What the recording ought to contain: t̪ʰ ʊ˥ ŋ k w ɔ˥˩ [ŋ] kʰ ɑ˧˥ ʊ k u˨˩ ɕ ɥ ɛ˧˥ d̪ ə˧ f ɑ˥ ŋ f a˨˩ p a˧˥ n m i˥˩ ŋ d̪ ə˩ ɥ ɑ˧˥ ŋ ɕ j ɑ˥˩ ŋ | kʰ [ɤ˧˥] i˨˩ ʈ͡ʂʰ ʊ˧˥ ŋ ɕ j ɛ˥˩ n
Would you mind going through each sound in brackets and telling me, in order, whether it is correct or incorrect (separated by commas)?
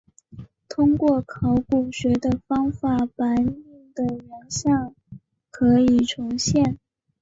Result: incorrect, correct